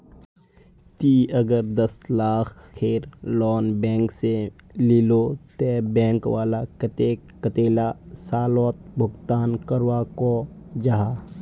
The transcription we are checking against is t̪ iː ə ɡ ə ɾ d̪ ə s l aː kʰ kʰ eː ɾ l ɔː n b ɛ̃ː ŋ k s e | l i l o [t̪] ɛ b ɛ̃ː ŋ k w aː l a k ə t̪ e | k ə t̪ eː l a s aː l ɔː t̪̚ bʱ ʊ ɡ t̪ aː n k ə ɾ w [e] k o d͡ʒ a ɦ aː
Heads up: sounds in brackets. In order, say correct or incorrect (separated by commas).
correct, incorrect